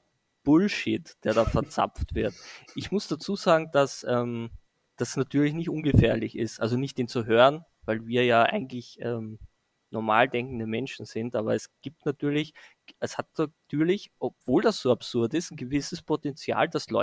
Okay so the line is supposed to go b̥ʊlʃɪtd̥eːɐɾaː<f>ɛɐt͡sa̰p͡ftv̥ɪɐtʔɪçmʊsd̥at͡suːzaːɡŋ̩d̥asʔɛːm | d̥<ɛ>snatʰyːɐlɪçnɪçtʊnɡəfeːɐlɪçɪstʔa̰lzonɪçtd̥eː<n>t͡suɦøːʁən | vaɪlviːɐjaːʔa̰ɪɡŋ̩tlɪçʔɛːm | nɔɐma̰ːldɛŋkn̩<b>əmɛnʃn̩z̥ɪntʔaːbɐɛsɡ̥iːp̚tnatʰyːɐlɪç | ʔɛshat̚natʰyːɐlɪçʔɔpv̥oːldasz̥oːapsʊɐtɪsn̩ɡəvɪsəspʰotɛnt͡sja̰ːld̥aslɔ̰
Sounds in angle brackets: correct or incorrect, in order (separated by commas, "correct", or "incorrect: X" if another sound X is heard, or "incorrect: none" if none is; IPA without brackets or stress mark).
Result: correct, incorrect: a, correct, incorrect: d